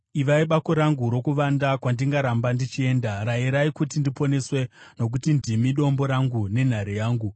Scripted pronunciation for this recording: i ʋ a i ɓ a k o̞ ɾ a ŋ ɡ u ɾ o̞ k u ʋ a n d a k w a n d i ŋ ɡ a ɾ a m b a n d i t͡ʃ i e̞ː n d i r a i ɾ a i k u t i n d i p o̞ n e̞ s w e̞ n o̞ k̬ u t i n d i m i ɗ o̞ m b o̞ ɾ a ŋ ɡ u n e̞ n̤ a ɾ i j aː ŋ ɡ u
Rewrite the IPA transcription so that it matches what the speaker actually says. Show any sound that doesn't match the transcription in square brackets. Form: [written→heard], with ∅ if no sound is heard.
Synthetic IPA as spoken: i ʋ a i ɓ a k o̞ ɾ a ŋ ɡ u ɾ o̞ k u ʋ a n d a k w a n d i ŋ ɡ a ɾ a m b a n d i t͡ʃ i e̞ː n d [i→a] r a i ɾ a i k u t i n d i p o̞ n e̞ s w e̞ n o̞ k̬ u t i n d i m i ɗ o̞ m b o̞ ɾ a ŋ ɡ u n e̞ n̤ a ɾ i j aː ŋ ɡ u